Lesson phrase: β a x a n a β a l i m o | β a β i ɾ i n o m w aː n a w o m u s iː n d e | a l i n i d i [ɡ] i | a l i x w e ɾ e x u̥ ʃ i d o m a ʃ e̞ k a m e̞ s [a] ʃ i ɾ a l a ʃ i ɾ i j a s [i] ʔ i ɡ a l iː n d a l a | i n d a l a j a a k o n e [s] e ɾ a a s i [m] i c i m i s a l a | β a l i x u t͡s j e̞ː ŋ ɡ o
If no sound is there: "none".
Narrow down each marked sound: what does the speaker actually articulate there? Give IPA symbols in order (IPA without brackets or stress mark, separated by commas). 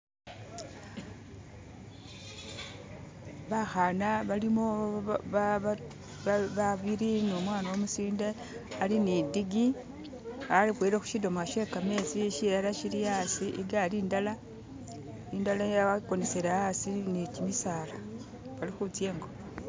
ɡ, i, i, s, n